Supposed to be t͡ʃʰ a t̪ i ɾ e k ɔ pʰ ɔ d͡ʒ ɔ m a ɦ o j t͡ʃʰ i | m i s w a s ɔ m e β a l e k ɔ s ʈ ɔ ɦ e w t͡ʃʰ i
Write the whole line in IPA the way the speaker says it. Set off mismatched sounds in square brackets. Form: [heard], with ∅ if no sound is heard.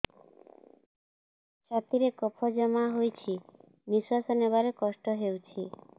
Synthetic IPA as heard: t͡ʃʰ a t̪ i ɾ e k ɔ pʰ ɔ d͡ʒ ɔ m a ɦ o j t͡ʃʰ i | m i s w a s ɔ [n] e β a [ɾ] e k ɔ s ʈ ɔ ɦ e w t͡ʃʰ i